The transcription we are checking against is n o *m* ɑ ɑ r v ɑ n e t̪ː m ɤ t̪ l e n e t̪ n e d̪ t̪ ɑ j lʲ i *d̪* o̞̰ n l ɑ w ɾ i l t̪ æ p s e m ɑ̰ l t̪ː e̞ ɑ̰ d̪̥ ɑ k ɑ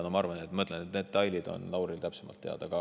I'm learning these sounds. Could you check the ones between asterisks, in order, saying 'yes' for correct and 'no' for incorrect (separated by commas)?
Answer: yes, yes